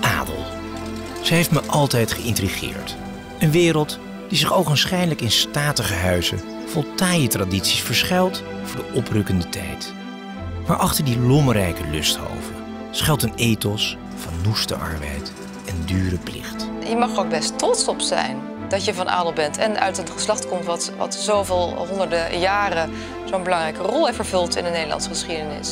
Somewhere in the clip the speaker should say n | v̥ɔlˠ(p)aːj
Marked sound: incorrect: t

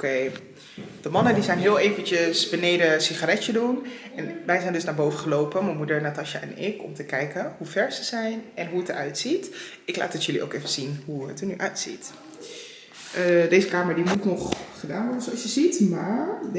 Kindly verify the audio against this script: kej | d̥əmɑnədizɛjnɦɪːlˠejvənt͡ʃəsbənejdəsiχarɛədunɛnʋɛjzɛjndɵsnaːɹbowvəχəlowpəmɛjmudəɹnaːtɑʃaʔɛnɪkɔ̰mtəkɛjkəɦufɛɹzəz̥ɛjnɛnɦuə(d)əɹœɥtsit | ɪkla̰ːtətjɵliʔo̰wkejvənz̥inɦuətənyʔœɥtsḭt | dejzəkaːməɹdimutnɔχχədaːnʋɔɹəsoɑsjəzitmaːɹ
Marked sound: incorrect: t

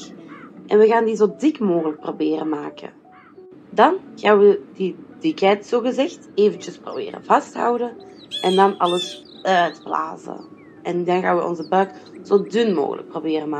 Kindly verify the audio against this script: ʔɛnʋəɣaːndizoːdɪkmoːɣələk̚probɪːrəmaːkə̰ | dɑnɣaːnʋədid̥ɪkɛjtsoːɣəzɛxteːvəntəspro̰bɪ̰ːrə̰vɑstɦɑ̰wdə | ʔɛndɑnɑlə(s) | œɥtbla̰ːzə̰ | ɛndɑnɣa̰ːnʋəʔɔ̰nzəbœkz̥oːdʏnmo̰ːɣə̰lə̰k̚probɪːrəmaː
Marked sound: correct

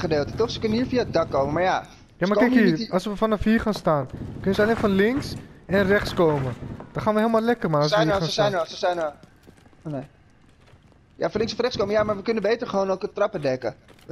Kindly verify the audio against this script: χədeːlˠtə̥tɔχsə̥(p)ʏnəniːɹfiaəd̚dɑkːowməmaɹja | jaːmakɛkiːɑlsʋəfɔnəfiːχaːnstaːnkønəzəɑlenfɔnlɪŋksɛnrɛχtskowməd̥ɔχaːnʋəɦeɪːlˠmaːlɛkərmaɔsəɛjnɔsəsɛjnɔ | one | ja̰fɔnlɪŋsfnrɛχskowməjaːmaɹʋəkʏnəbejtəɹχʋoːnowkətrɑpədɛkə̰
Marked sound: incorrect: k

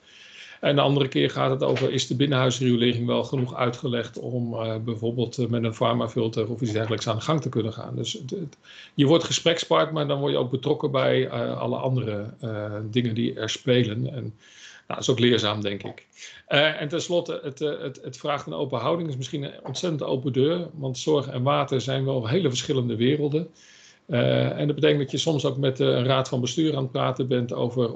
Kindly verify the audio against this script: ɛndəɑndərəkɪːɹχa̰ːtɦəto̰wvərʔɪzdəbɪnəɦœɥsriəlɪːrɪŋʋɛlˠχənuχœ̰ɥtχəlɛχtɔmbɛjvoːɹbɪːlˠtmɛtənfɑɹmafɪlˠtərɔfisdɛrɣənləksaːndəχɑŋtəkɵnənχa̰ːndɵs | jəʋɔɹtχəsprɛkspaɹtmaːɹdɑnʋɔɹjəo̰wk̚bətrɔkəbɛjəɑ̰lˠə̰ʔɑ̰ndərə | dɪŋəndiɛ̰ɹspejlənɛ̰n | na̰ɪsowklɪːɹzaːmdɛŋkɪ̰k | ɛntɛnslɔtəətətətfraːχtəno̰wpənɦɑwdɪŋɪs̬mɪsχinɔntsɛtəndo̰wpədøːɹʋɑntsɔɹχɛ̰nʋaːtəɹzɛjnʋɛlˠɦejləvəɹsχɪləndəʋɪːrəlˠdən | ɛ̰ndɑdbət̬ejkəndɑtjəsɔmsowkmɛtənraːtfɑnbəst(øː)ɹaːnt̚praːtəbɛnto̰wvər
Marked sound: incorrect: yː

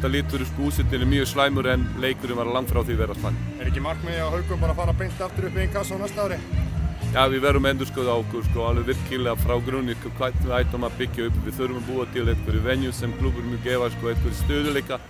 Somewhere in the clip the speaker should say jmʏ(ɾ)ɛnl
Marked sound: correct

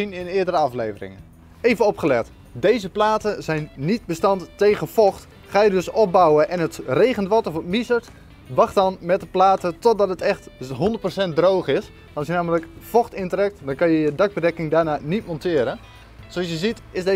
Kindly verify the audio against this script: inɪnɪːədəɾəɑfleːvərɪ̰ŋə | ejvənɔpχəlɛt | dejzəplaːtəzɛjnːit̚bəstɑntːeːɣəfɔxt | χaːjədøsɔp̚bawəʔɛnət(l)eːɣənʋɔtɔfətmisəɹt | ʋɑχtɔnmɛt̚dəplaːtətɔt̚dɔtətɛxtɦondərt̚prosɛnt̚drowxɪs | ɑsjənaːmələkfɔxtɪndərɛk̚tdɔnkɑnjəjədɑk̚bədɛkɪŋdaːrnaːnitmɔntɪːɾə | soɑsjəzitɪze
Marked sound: incorrect: r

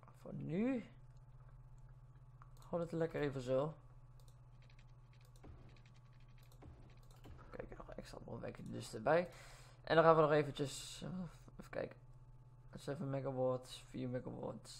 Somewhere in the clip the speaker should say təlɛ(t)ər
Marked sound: incorrect: k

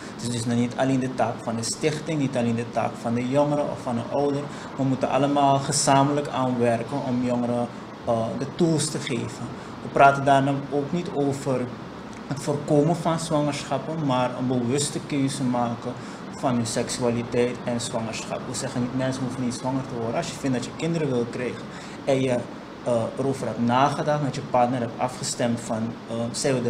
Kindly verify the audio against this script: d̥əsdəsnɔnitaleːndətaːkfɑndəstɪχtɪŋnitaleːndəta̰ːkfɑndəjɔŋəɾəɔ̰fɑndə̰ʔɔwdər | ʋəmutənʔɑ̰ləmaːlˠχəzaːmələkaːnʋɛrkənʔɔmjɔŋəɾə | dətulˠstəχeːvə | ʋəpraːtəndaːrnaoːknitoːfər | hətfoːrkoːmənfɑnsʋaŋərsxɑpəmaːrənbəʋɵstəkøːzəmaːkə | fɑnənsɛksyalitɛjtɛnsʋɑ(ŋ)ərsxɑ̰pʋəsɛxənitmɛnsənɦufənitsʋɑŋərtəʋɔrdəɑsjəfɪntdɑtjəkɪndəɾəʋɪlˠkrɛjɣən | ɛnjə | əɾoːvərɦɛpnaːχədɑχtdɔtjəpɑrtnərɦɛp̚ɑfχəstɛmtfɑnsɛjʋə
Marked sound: correct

